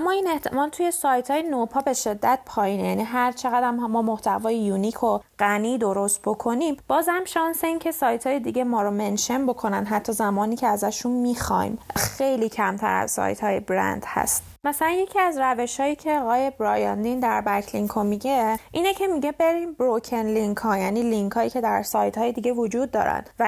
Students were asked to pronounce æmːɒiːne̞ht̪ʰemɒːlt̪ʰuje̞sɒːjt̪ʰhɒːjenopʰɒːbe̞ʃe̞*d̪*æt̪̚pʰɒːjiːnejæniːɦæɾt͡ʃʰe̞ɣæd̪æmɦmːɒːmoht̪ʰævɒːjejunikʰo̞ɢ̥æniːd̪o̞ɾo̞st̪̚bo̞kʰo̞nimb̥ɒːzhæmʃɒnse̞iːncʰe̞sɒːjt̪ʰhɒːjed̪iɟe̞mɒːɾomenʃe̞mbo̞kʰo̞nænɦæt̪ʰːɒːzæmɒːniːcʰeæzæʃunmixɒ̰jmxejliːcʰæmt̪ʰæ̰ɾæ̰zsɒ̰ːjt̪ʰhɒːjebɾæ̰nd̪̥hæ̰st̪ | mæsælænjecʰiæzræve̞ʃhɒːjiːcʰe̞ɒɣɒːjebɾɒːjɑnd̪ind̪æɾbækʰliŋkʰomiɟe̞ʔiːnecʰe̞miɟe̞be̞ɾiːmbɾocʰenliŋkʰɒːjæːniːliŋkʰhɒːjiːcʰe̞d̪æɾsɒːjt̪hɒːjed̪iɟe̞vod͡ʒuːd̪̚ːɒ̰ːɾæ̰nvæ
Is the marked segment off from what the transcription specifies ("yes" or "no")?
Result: yes